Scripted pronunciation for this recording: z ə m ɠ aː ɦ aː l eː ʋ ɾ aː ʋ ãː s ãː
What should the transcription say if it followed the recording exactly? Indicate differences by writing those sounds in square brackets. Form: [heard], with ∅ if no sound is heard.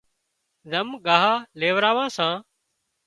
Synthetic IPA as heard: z ə m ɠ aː ɦ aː l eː ʋ ɾ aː ʋ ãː s ãː